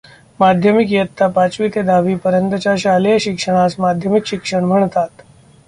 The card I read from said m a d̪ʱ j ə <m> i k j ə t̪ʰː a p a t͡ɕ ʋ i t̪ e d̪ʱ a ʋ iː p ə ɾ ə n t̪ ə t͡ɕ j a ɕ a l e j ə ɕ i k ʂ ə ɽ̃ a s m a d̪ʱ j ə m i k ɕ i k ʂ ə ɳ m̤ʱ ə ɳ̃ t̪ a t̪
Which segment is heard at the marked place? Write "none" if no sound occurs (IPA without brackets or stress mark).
m